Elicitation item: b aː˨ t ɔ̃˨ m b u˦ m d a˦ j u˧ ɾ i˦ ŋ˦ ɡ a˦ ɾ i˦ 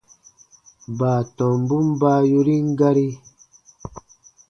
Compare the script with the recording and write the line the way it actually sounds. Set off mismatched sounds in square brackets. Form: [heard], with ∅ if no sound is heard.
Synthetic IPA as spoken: b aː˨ t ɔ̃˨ m b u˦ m [b] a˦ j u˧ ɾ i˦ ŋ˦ ɡ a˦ ɾ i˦